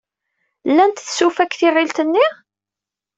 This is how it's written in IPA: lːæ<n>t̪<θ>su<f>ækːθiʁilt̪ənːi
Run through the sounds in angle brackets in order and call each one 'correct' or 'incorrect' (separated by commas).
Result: correct, correct, correct